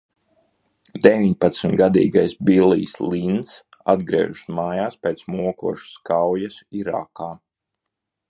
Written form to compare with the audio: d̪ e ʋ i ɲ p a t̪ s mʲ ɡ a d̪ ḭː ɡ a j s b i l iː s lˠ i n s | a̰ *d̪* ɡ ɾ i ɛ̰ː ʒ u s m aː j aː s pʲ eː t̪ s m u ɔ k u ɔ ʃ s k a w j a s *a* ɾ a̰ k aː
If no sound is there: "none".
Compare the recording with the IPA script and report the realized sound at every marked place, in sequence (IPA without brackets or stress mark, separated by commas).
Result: d̪, i